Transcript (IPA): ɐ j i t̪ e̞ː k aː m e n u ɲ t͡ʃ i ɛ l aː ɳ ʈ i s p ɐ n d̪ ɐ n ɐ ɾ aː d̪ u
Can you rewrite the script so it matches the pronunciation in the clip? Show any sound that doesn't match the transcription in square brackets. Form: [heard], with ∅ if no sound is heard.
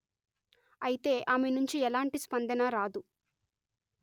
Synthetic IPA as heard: ɐ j i t̪ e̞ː [ʔ] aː m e n u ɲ t͡ʃ i ɛ l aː ɳ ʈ i s p ɐ n d̪ ɐ n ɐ ɾ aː d̪ u